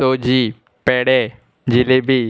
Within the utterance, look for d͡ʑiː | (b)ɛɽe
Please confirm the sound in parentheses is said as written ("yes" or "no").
no